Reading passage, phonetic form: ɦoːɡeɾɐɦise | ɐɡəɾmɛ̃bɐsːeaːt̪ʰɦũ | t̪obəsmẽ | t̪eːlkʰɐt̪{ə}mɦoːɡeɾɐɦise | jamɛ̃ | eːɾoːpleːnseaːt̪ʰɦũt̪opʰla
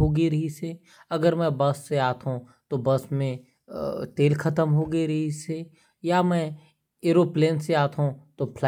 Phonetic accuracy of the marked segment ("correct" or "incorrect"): correct